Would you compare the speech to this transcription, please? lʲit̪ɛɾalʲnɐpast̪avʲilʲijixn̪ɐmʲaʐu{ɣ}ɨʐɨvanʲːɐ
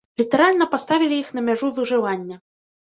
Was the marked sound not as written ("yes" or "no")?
yes